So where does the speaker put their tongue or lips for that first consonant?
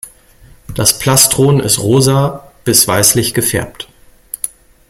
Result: tongue tip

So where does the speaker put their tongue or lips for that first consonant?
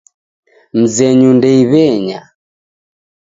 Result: lips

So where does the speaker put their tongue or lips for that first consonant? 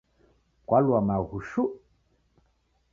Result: velum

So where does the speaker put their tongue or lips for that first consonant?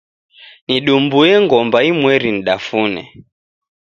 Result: tongue tip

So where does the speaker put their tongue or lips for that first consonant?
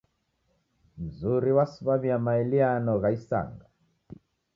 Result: lips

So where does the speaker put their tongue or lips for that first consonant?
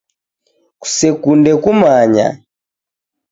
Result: velum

